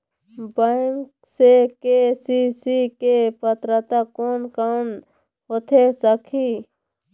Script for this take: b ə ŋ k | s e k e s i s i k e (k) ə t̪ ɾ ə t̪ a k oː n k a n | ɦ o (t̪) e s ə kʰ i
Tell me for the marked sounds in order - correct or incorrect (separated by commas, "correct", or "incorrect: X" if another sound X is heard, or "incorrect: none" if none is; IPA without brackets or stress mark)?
incorrect: p, incorrect: t̪ʰ